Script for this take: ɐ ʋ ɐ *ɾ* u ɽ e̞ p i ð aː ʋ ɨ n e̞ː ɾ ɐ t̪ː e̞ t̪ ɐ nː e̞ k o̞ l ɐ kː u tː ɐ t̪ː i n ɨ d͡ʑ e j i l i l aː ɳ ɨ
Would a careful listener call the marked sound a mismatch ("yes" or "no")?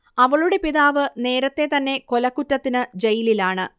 yes